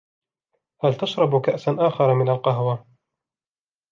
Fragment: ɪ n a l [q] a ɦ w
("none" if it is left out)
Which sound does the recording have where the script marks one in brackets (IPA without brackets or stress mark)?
q